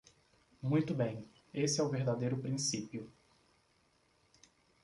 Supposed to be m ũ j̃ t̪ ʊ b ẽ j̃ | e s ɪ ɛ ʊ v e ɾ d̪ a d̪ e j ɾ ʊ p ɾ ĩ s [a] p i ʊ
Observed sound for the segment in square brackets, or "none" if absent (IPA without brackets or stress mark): i